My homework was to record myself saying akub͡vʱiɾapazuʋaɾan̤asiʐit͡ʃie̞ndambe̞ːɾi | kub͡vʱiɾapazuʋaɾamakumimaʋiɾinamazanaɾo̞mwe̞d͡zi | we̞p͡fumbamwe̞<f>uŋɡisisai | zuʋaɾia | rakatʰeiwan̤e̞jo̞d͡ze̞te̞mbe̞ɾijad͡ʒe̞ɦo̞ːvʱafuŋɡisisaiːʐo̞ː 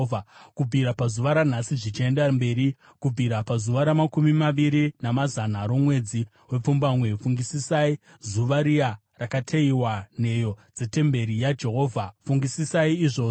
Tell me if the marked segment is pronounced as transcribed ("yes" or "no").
yes